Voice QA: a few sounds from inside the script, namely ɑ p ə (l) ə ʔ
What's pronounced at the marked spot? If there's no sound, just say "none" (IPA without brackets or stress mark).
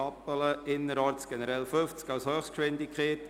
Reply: l